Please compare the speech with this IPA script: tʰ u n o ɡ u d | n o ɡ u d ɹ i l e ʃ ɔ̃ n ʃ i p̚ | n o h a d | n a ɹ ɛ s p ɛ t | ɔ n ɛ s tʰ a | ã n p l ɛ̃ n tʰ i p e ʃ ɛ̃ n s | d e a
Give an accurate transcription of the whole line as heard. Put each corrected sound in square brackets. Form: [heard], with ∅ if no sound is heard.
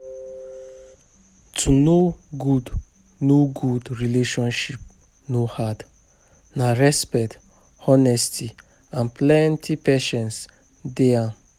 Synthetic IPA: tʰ u n o ɡ u d | n o ɡ u d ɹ i l e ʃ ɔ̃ n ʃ i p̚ | n o h a d | n a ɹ ɛ s p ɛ t | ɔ n ɛ s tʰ [i] | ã n p l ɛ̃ n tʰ i p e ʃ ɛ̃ n s | d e a